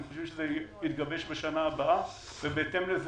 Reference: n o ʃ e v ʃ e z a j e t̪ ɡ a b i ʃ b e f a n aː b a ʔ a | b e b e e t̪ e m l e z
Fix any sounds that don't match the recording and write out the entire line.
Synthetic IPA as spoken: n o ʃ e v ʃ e z e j i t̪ ɡ a b e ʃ b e ʃ a n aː b a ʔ a | v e b e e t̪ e m l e z